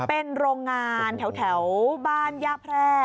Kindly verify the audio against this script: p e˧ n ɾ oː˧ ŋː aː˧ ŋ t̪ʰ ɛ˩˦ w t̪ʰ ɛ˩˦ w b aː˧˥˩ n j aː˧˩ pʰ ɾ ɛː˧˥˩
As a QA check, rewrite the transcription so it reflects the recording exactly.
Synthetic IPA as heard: p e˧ n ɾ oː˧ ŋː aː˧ n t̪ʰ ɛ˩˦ w t̪ʰ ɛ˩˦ w b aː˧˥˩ n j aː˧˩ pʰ ɾ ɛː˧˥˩